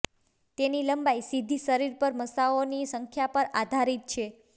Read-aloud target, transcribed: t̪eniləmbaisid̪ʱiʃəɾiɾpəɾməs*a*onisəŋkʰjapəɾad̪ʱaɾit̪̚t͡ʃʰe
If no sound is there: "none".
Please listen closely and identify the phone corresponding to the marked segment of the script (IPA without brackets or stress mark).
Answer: a